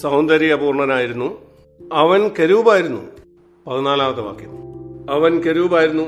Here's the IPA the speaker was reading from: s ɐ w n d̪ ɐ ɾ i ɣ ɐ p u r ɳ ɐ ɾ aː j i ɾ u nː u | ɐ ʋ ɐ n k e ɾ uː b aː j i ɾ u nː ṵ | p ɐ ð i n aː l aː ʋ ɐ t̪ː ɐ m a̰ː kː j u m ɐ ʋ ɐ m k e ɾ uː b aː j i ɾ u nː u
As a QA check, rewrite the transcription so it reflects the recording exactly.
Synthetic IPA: s ɐ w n d̪ ɐ ɾ i ɣ ɐ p uː r ɳ ɐ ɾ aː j i ɾ u nː u | ɐ ʋ ɐ n k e ɾ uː b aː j i ɾ u nː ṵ | p ɐ ð i n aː l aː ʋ ɐ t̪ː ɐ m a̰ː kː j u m ɐ ʋ ɐ n k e ɾ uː b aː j i ɾ u nː u